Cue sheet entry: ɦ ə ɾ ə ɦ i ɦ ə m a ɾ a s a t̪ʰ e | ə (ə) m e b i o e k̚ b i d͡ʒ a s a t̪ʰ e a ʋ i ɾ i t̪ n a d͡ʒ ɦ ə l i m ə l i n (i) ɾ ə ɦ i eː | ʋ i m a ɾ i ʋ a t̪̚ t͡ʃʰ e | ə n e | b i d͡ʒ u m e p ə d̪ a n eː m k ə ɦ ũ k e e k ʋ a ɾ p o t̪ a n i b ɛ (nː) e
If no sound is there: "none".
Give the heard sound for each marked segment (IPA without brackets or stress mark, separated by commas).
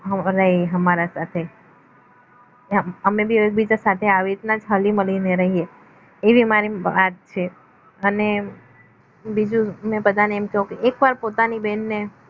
ə, e, nː